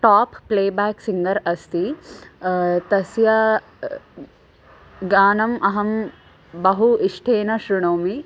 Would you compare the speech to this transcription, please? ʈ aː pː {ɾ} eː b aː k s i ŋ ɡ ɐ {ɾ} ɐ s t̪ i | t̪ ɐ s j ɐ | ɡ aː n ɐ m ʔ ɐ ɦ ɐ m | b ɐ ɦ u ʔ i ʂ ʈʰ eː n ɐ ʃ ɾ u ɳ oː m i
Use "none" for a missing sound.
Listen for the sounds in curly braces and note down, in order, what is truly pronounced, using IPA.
l, ɾ

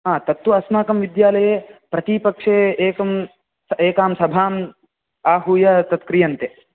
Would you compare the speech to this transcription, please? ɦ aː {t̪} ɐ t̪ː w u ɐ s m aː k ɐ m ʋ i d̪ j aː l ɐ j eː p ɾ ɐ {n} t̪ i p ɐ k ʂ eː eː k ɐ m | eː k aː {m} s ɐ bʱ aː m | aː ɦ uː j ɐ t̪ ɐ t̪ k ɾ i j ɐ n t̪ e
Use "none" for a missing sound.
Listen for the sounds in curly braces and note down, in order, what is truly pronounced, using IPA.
t̪, none, m

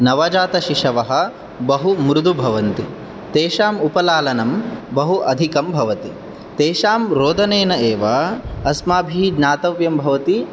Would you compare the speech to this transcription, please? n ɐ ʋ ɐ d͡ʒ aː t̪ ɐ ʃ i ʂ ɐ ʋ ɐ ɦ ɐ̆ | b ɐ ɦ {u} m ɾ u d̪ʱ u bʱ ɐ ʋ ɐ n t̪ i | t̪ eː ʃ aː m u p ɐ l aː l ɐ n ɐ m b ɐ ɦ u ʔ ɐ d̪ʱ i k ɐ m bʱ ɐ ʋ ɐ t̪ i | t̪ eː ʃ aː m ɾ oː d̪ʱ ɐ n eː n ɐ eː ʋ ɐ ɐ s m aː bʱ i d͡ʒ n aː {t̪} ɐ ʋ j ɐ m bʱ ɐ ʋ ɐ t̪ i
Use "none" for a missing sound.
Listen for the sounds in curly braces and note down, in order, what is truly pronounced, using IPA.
u, t̪

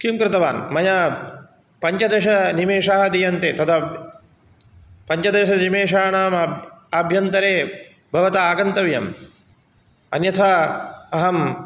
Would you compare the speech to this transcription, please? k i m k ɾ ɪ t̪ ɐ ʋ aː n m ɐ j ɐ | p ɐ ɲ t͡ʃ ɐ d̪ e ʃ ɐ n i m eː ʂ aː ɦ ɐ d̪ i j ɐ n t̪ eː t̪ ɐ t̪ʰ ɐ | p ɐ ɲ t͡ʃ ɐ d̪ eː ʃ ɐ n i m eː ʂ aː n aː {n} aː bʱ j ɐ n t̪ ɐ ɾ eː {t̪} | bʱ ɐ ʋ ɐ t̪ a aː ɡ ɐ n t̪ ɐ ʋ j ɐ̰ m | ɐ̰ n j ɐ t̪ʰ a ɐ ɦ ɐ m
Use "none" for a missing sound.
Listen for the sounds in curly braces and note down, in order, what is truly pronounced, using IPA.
m, none

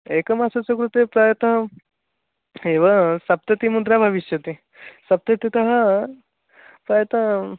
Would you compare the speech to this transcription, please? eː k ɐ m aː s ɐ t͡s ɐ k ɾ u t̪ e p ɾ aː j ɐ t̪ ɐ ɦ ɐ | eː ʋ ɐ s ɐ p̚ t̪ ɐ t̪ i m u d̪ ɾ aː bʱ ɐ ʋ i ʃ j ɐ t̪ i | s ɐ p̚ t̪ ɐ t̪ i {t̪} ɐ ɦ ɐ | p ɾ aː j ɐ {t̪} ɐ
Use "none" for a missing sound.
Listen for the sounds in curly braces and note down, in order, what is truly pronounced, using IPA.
t̪, t̪

